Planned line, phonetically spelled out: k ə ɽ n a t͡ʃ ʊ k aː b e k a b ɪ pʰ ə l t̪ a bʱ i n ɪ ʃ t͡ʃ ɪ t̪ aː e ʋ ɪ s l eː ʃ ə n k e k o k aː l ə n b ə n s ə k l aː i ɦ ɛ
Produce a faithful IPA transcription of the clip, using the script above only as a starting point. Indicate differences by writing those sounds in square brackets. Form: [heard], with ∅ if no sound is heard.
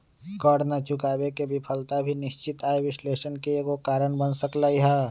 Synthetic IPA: k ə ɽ n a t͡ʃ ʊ k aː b e k [e] b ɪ pʰ ə l t̪ a bʱ i n ɪ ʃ t͡ʃ ɪ t̪ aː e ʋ ɪ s l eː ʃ ə n k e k o k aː [ɾ] ə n b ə n s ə k l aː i ɦ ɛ

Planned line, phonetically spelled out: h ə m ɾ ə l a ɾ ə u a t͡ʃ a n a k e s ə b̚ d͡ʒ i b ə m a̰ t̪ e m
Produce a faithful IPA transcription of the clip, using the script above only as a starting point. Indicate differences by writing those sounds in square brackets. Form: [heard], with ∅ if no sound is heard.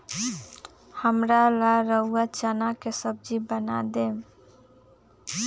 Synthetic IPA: h ə m ɾ [a] l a ɾ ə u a t͡ʃ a n a k e s ə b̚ d͡ʒ i b ə [n] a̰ [d̪] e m

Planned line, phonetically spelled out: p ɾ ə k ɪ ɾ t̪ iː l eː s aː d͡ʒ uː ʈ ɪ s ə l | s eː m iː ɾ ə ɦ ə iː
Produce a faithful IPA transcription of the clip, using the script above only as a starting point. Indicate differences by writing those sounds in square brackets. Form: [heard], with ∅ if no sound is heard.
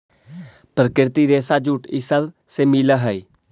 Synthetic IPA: p ɾ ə k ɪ ɾ t̪ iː [ɾ] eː s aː d͡ʒ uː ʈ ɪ s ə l | s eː m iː [l] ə ɦ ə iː

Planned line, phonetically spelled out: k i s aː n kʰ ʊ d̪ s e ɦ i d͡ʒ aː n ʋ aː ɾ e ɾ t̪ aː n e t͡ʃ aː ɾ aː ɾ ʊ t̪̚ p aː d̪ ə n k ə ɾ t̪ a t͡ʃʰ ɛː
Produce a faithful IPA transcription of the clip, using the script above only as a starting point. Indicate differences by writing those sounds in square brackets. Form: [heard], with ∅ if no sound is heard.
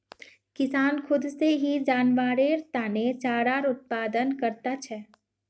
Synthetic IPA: k [ɪ] s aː n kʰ ʊ d̪ s e ɦ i d͡ʒ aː n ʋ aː ɾ e ɾ t̪ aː n e t͡ʃ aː ɾ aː ɾ ʊ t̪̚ p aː d̪ ə n k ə ɾ t̪ a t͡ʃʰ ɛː

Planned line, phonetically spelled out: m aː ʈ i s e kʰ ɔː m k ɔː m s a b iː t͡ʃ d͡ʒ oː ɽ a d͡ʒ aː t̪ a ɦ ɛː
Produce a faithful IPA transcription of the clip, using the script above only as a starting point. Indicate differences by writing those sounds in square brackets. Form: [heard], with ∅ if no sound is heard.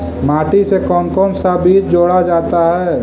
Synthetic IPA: m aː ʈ i s e [k] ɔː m k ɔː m s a b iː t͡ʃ d͡ʒ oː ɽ a d͡ʒ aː t̪ a ɦ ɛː

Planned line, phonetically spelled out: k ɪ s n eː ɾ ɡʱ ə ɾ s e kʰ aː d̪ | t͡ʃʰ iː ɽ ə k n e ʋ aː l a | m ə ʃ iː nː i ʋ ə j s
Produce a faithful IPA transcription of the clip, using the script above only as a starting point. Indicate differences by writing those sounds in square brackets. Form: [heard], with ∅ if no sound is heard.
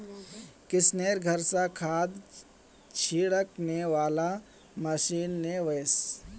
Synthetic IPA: k ɪ s n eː ɾ ɡʱ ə ɾ s [a] kʰ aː d̪ | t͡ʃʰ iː ɽ ə k n e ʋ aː l a | m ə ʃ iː nː [e] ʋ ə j s

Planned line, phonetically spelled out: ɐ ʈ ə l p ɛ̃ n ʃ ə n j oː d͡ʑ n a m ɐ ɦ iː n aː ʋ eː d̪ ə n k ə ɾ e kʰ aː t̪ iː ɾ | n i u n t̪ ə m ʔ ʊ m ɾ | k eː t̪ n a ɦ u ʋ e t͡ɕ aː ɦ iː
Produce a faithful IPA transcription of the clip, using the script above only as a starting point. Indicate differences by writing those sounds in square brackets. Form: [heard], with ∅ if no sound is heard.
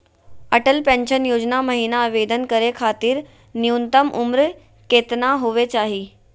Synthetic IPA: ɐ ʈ ə l p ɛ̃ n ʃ ə n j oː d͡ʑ n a m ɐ ɦ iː n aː ʋ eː d̪ ə n k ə ɾ e kʰ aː t̪ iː ɾ | n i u n t̪ ə m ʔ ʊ m ɾ | k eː t̪ n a ɦ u ʋ e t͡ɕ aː ɦ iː

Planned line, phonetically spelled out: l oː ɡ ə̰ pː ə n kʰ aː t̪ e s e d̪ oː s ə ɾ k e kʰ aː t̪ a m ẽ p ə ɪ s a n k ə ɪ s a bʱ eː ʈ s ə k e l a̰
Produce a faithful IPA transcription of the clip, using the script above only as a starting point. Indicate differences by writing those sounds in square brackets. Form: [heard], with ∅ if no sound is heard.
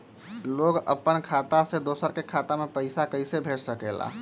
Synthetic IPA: l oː ɡ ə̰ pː ə n kʰ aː t̪ [a] s e d̪ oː s ə ɾ k e kʰ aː t̪ a m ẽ p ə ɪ s a [∅] k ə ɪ s [e] bʱ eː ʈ s ə k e l a̰

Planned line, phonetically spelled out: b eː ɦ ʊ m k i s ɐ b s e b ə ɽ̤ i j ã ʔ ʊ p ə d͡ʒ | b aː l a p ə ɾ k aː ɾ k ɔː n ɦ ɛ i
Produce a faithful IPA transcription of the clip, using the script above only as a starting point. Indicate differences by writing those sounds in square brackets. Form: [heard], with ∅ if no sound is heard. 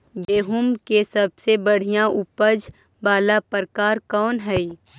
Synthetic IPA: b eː ɦ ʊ m k [e] s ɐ b s e b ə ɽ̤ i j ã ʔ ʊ p ə d͡ʒ | b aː l a p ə ɾ k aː ɾ k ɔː n ɦ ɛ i

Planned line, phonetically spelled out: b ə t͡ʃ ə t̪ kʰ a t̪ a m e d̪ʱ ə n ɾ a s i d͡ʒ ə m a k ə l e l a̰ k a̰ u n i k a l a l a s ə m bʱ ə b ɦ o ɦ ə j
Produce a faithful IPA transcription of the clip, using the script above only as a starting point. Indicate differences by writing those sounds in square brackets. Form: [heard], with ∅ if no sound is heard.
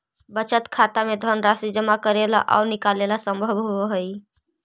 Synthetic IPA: b ə t͡ʃ ə t̪ kʰ a t̪ a m e d̪ʱ ə n ɾ a s i d͡ʒ ə m a k ə [ɾ] e l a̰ [ʔ] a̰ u n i k a l [e] l a s ə m bʱ ə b ɦ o ɦ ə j

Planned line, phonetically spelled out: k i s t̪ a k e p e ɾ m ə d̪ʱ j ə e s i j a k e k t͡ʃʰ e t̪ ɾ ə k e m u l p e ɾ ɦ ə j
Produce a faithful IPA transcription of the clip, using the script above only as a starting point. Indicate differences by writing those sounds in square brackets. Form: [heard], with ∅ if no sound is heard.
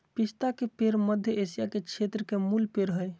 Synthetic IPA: [p] i s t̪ a k e p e ɾ m ə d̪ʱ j ə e s i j a k e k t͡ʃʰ e t̪ ɾ ə k e m u l p e ɾ ɦ ə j

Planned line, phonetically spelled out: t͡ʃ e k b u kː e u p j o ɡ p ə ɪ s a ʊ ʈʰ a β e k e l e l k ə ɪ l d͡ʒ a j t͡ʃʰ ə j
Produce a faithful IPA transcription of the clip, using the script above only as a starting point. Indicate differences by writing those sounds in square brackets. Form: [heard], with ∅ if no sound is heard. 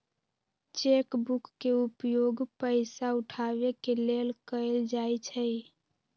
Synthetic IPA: t͡ʃ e k b u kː e u p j o ɡ p ə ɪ s a [u] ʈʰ a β e k e l e l k ə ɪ l d͡ʒ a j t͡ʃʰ ə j

